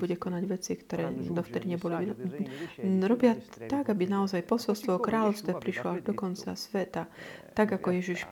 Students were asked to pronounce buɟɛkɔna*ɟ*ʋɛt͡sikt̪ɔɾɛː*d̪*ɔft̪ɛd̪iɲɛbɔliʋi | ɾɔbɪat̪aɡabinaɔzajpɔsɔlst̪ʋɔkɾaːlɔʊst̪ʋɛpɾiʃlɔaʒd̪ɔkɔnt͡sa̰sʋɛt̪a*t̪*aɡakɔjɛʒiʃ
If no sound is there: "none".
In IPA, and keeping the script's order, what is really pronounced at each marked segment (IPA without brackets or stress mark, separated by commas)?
ɟ, d̪, t̪